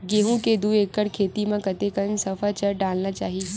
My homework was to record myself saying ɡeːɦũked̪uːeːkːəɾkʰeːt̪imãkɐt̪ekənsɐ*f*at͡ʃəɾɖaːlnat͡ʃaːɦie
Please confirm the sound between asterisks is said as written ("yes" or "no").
yes